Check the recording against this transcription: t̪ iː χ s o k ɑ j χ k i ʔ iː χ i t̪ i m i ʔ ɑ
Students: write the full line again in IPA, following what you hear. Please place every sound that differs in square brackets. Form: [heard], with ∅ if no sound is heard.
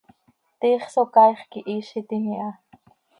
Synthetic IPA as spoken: t̪ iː χ s o k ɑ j χ k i ʔ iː [ʃ] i t̪ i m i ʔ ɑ

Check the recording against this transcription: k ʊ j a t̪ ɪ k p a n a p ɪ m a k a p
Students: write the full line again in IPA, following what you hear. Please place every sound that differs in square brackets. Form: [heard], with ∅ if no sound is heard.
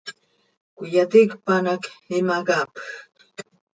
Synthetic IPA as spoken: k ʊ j a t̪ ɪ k p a n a [k] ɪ m a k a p

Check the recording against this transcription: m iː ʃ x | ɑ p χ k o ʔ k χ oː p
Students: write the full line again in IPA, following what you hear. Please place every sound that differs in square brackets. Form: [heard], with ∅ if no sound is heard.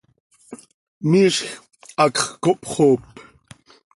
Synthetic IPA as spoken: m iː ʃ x | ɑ [k] χ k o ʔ [p] χ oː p

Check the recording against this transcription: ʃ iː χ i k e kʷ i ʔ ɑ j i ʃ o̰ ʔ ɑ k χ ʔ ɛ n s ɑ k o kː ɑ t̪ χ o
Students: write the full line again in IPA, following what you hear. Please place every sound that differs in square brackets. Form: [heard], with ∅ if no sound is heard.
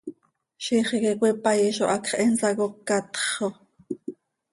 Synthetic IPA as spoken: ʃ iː χ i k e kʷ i [p] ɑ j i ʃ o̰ ʔ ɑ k χ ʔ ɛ n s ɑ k o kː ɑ t̪ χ o

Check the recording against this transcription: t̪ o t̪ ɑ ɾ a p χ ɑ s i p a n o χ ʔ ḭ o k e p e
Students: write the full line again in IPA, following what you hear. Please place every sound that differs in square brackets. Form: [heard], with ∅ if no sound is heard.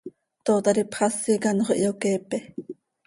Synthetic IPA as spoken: t̪ o t̪ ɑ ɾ [i] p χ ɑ s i [k] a n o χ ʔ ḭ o k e p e

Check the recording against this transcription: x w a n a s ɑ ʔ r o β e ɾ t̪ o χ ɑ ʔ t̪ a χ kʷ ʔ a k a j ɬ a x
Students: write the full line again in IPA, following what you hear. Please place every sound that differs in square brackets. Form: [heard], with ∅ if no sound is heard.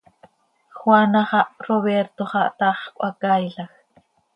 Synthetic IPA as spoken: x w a n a [χ] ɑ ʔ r o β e ɾ t̪ o χ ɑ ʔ t̪ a χ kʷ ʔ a k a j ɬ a x

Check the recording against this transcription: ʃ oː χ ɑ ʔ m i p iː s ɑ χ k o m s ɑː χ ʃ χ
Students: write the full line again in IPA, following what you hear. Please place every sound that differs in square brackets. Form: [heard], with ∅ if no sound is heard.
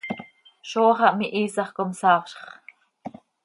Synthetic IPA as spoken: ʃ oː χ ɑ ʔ m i [ʔ] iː s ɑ χ k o m s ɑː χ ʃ χ

